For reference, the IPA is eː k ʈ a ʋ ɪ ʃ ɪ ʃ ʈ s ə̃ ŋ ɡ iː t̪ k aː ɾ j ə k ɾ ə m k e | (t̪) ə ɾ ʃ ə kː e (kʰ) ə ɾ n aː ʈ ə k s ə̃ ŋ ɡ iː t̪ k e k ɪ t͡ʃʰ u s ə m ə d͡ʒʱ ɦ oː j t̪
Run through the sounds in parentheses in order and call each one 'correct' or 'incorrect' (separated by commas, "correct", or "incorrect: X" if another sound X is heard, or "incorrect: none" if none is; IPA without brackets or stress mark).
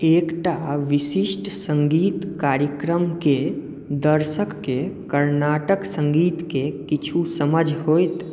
incorrect: d̪, incorrect: k